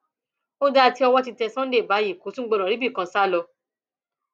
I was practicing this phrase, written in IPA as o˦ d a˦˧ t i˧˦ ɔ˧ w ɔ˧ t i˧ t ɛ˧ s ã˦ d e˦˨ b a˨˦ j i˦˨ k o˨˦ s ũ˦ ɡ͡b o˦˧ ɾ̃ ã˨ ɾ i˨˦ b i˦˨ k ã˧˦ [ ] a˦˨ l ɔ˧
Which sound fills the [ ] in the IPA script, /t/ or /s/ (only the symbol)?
s